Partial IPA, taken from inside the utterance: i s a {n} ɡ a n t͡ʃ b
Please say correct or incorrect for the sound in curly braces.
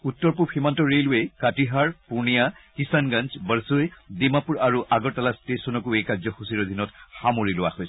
correct